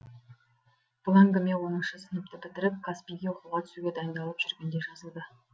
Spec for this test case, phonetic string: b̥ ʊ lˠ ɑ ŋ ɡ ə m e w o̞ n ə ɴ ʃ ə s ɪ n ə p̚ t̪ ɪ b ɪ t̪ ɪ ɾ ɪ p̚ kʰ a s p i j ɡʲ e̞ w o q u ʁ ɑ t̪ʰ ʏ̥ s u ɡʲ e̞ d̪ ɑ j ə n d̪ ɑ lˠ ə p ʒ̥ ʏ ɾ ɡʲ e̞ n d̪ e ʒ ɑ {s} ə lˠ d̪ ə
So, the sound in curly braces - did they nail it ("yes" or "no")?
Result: no